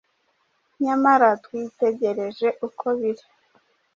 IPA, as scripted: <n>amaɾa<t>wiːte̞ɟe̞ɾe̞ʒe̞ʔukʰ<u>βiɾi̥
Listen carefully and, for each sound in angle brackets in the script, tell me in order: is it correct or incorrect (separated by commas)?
incorrect, correct, incorrect